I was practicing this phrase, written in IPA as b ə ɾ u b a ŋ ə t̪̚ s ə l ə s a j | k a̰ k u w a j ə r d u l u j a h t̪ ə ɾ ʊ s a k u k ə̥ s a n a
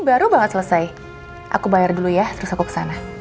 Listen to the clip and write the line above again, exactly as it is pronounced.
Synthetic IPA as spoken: b a ɾ u b a ŋ ə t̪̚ s ə l ə s a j | ʔ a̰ k u b a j a r d u l u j a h t̪ ə ɾ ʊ s a k u k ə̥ s a n a